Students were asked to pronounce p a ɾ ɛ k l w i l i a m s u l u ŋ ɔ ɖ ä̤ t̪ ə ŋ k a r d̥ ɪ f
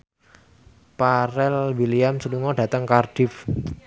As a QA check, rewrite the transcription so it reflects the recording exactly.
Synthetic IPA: p a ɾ ɛ l w i l i a m s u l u ŋ ɔ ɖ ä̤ t̪ ə ŋ k a r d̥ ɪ f